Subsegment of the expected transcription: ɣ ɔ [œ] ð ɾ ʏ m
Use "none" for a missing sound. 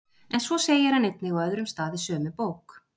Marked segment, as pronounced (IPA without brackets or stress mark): œ